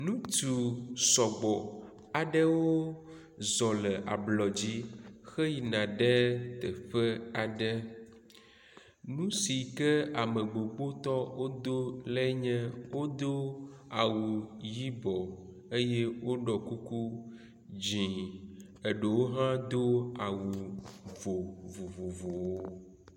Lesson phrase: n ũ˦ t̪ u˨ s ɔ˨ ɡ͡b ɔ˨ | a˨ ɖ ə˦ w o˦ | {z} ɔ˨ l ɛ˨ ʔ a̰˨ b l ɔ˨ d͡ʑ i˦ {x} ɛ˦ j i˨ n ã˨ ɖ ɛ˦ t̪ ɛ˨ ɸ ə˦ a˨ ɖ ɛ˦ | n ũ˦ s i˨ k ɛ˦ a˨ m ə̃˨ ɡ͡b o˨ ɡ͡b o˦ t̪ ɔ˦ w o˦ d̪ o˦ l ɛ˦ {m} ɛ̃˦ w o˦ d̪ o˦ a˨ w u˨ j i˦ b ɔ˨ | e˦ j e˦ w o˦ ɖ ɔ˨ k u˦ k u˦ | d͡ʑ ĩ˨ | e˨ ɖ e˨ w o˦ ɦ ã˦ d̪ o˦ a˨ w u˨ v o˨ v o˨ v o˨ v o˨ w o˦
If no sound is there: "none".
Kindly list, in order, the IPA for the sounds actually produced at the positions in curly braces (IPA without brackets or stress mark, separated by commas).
z, x, ɲ